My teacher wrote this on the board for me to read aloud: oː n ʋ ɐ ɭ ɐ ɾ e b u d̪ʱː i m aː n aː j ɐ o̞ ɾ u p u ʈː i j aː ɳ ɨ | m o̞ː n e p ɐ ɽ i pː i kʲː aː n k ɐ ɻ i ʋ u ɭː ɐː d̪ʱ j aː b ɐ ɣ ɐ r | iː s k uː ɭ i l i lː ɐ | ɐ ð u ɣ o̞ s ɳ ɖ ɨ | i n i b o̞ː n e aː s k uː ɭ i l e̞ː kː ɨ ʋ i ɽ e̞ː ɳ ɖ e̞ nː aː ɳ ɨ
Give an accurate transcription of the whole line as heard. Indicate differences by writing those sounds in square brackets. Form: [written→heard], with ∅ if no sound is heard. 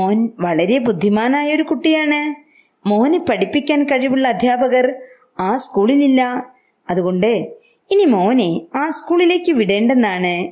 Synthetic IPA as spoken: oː n ʋ ɐ ɭ ɐ ɾ e b u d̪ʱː i m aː n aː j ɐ o̞ ɾ u [p→k] u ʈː i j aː ɳ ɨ | m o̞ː n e p ɐ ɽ i pː i kʲː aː n k ɐ ɻ i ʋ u ɭː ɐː d̪ʱ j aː b ɐ ɣ ɐ r | [iː→aː] s k uː ɭ i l i lː ɐ | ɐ ð u ɣ o̞ [s→∅] ɳ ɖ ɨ | i n i [b→m] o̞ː n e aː s k uː ɭ i l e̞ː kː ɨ ʋ i ɽ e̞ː ɳ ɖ e̞ nː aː ɳ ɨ